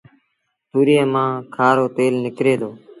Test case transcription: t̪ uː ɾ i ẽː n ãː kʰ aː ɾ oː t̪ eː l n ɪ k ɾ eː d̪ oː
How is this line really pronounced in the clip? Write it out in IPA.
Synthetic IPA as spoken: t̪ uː ɾ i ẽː m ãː kʰ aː ɾ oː t̪ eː l n ɪ k ɾ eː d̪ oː

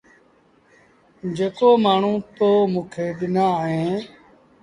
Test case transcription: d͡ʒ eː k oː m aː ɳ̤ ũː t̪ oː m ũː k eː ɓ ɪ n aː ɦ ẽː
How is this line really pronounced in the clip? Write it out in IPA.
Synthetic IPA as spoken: d͡ʒ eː k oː m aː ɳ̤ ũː t̪ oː m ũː kʰ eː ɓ ɪ n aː ɦ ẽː

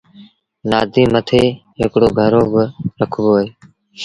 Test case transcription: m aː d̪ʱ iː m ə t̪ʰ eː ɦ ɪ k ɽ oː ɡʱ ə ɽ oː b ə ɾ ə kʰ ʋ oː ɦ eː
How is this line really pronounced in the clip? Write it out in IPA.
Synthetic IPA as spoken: n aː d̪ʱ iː m ə t̪ʰ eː ɦ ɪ k ɽ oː ɡʱ ə ɾ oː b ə ɾ ə kʰ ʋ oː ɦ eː

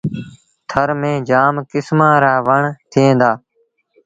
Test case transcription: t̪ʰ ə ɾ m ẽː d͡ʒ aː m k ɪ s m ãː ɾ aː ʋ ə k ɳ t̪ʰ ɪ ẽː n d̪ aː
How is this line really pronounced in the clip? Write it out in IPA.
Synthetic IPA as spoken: t̪ʰ ə ɾ m ẽː d͡ʒ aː m k ɪ s m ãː ɾ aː ʋ ə ɳ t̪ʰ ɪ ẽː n d̪ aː

